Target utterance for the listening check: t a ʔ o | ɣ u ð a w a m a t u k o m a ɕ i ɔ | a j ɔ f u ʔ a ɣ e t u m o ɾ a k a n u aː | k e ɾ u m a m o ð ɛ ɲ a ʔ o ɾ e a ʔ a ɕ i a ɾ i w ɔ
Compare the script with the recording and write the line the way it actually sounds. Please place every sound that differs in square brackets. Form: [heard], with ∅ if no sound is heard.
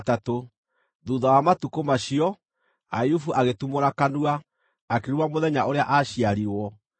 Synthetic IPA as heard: t a [t] o | [ð] u ð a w a m a t u k o m a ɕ i ɔ | a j [u] f u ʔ a ɣ e t u m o ɾ a k a n u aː | k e ɾ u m a m o ð ɛ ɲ a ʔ o ɾ e a ʔ a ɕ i a ɾ i w ɔ